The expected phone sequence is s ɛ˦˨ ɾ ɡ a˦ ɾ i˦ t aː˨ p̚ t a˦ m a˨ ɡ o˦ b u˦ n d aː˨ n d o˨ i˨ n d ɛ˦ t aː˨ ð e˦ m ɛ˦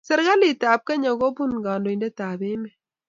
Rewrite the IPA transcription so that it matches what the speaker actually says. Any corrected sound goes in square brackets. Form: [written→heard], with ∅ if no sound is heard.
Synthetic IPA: s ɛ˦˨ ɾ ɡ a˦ [ɾ→l] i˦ t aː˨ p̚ [t→k] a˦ [m→ɲ] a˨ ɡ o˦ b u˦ n [d→ɡ] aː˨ n d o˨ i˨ n d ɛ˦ t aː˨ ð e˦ m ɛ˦